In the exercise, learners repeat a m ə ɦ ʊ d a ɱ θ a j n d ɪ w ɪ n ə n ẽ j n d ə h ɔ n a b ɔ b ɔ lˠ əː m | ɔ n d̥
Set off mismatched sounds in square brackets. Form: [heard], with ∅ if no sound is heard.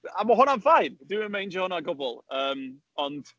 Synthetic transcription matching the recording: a m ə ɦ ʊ [n] a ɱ [f] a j n d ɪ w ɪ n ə [m] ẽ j n [d͡ʒ] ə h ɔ n a [ɡ] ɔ b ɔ lˠ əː m | ɔ n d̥